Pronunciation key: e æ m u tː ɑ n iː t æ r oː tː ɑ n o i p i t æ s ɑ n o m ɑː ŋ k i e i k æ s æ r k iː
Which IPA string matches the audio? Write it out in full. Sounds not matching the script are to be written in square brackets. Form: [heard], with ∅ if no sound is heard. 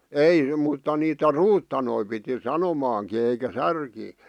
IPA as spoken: e [i] m u tː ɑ n iː t æ r [uː] tː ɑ n o i p i t [i] s ɑ n o m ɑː ŋ k i e i k æ s æ r k iː

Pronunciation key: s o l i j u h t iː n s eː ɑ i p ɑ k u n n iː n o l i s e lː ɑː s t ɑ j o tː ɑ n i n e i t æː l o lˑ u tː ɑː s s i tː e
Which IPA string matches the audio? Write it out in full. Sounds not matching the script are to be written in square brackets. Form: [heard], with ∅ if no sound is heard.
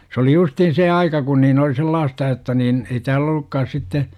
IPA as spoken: s o l i j u [s] t iː n s eː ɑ i [k] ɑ k u n n iː n o l i s e lː ɑː s t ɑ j o tː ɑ n [iː] n e i t æː l o lˑ u [kː] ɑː s s i tː e

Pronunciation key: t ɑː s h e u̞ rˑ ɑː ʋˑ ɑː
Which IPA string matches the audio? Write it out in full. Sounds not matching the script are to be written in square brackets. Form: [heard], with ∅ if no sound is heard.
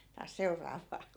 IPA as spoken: t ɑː s [s] e u̞ rˑ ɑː ʋˑ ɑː

